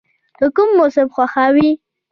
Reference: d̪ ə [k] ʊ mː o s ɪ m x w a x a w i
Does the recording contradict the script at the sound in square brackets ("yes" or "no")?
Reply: no